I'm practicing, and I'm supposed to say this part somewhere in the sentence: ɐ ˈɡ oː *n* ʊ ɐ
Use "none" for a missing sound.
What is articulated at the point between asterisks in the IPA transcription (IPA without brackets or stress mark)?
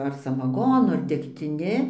n